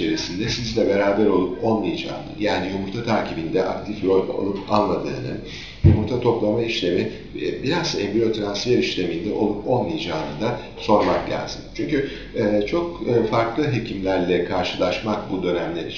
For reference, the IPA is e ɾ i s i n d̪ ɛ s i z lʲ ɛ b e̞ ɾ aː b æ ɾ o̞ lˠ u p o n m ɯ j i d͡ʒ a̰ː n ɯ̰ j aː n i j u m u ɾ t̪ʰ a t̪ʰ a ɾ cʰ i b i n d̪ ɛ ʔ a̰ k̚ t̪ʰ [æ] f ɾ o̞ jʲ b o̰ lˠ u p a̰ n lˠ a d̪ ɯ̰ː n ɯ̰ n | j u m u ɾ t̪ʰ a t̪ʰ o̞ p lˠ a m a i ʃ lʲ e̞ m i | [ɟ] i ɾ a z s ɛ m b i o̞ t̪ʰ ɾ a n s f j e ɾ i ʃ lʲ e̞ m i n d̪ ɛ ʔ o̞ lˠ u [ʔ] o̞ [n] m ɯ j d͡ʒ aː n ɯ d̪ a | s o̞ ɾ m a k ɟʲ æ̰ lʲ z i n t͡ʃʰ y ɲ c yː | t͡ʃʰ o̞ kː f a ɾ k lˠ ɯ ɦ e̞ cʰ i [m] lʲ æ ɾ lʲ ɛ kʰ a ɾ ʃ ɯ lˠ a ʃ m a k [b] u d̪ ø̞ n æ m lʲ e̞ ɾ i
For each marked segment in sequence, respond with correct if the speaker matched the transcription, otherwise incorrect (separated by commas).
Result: incorrect, incorrect, incorrect, correct, correct, correct